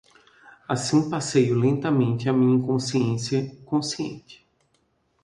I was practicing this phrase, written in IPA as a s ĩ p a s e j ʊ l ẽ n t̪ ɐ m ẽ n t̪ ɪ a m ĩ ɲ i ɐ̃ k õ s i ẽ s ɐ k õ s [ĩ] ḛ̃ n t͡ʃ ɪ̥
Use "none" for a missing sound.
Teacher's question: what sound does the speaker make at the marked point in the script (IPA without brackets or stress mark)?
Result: i